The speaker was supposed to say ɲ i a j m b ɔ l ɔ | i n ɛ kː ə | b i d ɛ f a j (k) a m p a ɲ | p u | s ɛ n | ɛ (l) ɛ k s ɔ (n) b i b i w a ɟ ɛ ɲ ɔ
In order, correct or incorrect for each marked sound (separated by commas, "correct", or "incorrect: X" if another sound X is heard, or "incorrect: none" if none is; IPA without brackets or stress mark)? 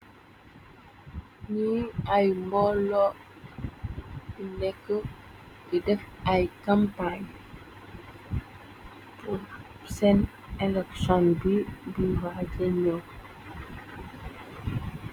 correct, correct, correct